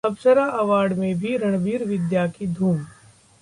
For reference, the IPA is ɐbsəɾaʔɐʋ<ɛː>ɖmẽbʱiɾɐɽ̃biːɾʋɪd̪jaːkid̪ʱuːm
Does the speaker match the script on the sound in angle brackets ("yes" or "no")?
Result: no